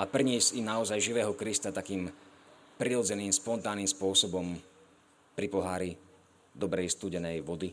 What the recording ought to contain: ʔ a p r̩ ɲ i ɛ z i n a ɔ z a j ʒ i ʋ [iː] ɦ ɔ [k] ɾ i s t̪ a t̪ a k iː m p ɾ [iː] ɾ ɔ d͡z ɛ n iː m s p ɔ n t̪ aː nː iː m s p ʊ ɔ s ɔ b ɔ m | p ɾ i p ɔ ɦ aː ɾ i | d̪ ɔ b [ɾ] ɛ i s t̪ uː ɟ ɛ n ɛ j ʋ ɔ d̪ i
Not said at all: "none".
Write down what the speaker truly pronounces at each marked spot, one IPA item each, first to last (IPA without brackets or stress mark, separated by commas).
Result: ɛː, k, i, ɾ